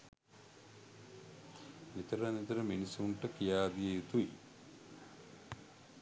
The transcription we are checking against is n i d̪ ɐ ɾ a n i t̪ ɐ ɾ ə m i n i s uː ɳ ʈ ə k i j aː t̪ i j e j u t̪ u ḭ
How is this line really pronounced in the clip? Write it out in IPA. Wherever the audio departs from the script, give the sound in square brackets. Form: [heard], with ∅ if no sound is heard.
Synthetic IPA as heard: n i [t̪] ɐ ɾ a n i t̪ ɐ ɾ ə m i n i s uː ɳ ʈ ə k i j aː [d̪] i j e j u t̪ u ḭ

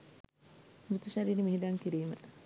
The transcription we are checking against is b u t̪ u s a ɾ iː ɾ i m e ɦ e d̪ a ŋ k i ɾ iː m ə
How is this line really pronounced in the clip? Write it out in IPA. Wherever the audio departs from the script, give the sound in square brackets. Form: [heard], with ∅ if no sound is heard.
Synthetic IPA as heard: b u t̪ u [ʃ] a ɾ iː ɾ i m [i] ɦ [i] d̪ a ŋ k i ɾ iː m ə

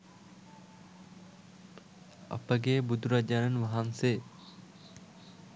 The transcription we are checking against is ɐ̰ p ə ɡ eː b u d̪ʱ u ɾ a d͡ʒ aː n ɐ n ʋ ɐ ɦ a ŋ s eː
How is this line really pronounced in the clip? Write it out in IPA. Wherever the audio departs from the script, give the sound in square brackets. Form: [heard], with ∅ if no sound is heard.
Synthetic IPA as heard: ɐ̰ p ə ɡ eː b u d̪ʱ u ɾ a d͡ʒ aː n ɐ n ʋ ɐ ɦ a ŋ s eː

